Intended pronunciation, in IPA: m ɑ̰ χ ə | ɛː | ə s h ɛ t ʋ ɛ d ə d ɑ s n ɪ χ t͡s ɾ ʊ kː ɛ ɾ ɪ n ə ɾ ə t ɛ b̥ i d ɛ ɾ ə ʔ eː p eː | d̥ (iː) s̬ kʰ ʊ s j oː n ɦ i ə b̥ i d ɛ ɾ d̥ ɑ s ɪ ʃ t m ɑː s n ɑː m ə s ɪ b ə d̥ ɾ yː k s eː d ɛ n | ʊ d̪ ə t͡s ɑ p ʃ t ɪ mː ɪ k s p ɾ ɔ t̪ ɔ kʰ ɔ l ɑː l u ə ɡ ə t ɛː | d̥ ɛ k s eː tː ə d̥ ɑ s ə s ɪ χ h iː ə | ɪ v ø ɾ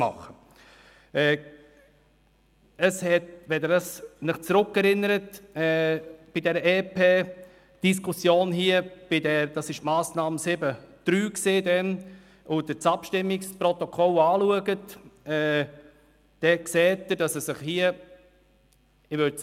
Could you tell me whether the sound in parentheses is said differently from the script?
yes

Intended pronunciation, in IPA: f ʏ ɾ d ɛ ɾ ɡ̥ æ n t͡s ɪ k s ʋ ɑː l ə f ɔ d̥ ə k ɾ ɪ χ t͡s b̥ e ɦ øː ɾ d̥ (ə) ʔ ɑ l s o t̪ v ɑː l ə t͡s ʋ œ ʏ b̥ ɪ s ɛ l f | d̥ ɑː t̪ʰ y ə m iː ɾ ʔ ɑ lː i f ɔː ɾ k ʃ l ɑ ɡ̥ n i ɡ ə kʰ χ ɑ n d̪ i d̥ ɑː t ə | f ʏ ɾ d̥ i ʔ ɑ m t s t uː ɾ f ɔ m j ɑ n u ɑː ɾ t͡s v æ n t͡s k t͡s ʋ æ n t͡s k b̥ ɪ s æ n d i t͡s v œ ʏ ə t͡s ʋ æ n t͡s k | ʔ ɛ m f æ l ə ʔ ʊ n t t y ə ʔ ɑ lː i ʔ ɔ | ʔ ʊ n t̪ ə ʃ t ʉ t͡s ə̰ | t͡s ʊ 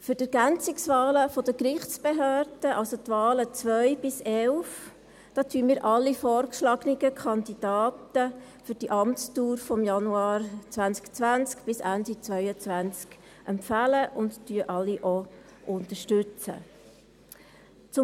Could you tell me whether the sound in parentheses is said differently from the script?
no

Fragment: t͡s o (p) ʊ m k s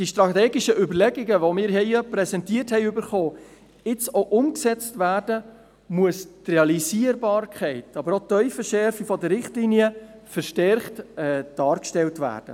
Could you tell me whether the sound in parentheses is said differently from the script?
yes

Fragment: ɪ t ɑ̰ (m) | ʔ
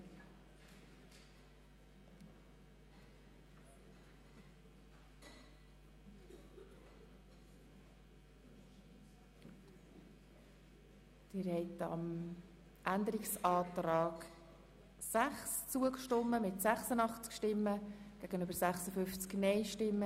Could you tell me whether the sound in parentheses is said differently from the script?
no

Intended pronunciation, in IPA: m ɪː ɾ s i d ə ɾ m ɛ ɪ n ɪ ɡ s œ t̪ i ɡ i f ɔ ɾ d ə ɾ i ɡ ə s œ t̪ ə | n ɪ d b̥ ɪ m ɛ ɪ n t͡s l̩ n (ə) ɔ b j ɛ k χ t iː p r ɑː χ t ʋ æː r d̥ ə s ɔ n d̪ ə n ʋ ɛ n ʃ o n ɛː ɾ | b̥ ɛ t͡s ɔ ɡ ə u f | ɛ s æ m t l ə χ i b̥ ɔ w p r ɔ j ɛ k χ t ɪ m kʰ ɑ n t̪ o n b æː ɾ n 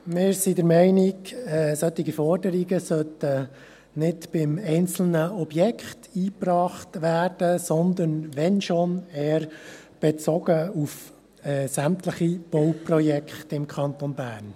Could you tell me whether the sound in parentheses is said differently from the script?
no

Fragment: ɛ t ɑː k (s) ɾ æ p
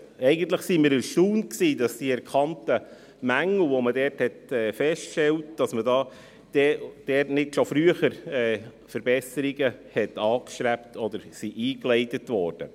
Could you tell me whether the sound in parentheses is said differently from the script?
yes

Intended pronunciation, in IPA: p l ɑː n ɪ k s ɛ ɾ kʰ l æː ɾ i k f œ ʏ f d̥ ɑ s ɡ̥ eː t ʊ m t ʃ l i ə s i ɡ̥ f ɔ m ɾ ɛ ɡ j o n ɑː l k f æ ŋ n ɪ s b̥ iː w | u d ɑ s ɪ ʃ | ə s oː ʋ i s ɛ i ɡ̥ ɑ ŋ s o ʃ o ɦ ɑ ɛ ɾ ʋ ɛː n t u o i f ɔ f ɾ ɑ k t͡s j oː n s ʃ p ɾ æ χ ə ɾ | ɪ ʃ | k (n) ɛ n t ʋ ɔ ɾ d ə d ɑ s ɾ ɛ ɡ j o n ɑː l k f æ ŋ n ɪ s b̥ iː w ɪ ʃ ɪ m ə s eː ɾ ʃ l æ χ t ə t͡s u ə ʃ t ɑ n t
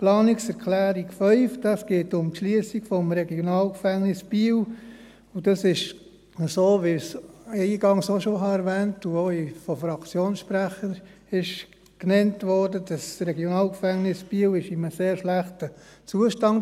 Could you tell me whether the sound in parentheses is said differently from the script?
no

